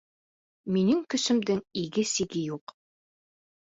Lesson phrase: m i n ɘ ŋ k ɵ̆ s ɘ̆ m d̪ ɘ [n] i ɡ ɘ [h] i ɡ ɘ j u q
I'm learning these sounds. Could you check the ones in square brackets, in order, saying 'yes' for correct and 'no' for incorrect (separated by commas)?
no, no